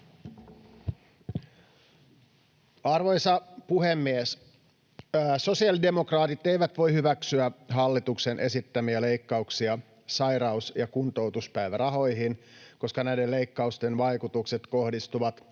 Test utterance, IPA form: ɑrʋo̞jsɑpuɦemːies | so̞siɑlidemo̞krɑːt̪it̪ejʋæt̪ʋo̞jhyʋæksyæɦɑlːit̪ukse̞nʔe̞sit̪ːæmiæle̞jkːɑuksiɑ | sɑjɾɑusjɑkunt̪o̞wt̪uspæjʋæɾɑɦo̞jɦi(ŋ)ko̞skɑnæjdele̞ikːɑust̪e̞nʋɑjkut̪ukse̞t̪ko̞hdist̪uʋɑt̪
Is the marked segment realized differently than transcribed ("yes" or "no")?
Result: yes